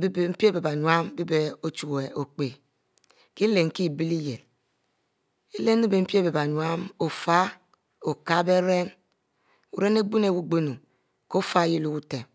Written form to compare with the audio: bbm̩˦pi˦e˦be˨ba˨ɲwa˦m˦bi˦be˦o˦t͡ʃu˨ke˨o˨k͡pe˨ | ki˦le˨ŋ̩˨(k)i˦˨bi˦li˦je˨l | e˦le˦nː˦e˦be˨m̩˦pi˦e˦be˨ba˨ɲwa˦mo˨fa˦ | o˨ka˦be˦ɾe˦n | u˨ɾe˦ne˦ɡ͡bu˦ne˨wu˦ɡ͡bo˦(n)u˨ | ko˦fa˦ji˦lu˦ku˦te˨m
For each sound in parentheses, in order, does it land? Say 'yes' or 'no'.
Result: yes, yes

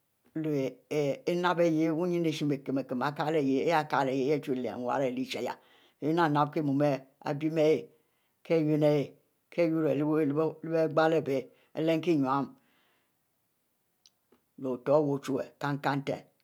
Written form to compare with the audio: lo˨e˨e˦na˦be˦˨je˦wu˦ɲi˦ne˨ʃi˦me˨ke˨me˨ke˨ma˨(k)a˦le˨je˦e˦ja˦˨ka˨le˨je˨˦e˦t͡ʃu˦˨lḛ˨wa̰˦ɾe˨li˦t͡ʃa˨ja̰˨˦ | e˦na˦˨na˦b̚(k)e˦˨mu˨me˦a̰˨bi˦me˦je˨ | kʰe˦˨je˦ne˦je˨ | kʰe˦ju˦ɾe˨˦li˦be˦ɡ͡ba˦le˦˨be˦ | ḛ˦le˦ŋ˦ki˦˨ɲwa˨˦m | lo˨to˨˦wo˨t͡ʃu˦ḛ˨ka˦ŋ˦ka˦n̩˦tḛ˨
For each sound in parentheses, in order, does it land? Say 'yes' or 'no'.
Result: yes, yes

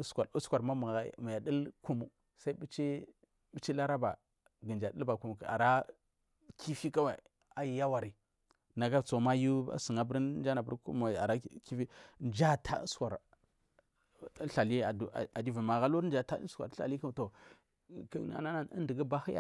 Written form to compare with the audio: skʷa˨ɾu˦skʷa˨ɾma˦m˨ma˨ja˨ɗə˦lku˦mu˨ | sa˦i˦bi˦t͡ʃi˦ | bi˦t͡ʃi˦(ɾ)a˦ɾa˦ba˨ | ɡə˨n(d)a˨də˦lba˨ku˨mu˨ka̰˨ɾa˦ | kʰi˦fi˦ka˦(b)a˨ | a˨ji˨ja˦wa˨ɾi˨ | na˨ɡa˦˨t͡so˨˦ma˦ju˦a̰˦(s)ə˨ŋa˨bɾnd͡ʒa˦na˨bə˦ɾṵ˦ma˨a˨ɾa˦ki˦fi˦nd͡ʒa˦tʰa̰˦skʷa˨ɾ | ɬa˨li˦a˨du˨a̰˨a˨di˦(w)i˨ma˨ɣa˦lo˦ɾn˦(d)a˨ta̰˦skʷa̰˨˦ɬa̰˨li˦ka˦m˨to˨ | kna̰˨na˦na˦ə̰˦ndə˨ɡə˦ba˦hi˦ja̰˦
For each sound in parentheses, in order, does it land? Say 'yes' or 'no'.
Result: no, no, no, yes, no, no

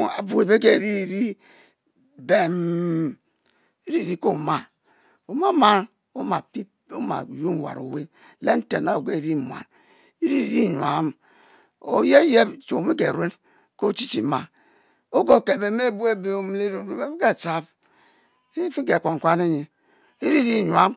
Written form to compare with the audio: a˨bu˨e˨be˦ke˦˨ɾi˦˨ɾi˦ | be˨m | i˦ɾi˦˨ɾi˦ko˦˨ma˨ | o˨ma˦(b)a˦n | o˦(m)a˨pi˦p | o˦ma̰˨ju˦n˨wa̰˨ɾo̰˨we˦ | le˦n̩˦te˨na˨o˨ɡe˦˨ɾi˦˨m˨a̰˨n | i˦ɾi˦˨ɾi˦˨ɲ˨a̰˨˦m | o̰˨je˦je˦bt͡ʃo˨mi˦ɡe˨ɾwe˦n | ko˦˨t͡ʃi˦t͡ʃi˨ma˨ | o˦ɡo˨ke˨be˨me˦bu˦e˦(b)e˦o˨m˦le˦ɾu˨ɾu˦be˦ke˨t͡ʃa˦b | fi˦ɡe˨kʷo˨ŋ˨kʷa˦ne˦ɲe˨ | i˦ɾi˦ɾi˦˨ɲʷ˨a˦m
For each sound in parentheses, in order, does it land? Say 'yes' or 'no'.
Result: no, yes, yes

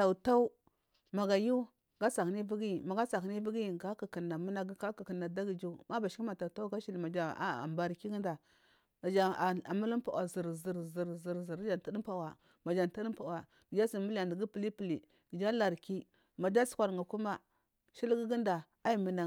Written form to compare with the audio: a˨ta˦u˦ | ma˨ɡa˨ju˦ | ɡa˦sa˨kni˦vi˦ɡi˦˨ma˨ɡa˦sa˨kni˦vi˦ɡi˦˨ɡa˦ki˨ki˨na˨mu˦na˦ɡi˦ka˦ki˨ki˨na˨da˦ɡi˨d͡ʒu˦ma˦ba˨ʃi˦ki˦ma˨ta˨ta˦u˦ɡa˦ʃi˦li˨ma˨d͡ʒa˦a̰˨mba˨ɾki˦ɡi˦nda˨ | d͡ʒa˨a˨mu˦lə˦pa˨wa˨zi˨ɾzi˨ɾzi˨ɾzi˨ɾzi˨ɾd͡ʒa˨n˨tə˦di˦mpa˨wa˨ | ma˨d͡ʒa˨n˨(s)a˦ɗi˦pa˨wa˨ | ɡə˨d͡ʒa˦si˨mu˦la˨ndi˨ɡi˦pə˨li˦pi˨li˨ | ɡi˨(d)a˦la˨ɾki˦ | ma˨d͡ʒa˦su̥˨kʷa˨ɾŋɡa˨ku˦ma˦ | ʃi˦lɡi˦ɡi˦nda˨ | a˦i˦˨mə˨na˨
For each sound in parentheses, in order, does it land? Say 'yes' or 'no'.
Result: no, no

